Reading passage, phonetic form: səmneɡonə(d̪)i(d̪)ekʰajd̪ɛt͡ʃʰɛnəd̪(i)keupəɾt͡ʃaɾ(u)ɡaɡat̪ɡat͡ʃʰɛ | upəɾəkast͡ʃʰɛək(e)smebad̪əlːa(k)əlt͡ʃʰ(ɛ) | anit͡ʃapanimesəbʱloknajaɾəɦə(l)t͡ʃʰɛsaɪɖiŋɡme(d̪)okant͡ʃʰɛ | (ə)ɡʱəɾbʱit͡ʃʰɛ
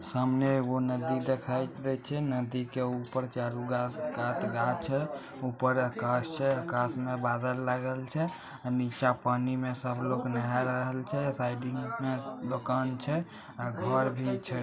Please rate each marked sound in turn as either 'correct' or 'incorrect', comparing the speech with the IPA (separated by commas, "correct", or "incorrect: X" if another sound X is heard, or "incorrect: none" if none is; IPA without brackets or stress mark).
correct, correct, correct, correct, incorrect: a, incorrect: ɡ, correct, correct, correct, incorrect: a